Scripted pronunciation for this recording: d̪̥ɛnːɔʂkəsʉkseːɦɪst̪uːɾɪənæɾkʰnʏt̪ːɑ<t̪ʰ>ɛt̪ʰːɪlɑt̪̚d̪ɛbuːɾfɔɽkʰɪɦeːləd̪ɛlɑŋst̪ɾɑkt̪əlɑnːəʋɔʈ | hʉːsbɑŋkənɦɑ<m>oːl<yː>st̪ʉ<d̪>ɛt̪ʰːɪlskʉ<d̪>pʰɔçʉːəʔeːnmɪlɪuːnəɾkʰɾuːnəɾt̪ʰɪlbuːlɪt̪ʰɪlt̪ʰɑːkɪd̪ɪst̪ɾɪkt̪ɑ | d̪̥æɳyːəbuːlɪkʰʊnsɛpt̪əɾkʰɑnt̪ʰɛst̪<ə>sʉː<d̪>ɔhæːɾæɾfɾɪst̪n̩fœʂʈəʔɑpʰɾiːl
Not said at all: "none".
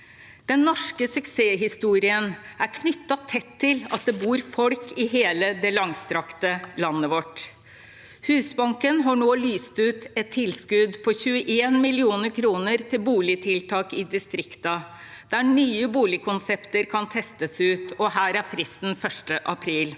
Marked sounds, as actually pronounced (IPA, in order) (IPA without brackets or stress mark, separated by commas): t̪ʰ, ɳ, yː, t̪, d̪, ə, t̪